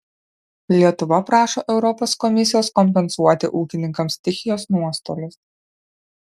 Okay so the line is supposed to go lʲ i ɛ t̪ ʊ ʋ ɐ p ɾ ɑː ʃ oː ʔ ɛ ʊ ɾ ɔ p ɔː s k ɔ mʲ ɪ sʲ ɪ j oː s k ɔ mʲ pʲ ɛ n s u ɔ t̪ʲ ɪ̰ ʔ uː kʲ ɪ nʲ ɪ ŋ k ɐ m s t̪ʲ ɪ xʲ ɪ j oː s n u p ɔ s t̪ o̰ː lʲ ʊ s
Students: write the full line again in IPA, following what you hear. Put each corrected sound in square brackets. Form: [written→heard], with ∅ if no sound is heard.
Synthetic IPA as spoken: lʲ i ɛ t̪ ʊ ʋ ɐ p ɾ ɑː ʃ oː ʔ ɛ ʊ ɾ ɔ p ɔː s k ɔ mʲ ɪ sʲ ɪ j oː s k ɔ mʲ pʲ ɛ n s u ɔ t̪ʲ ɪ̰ ʔ uː kʲ ɪ nʲ ɪ ŋ k ɐ m s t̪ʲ ɪ xʲ ɪ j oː s n u [p→∅] ɔ s t̪ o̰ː lʲ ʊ s